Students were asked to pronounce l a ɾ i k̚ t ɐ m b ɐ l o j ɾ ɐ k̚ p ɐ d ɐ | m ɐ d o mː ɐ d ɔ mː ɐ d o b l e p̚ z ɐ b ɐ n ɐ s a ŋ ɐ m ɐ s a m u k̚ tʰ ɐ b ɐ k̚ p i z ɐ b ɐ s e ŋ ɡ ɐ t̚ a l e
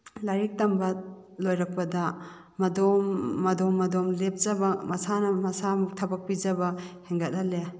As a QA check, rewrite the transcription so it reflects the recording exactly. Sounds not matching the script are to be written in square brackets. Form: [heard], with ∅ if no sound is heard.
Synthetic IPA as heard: l a ɾ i k̚ t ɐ m b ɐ l o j ɾ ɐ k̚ p ɐ d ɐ | m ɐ d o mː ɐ d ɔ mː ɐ d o [m] l e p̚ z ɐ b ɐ [m] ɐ s a [n] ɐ m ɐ s a m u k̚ tʰ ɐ b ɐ k̚ p i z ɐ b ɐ [h] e ŋ ɡ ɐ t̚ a l e